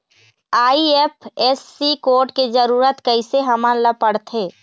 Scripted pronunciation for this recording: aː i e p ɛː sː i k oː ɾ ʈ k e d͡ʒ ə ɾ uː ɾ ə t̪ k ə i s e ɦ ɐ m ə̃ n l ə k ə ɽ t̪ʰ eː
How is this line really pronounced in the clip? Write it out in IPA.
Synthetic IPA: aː i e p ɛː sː i k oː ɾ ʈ k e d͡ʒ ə ɾ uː ɾ ə t̪ k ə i s e ɦ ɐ m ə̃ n l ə p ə ɽ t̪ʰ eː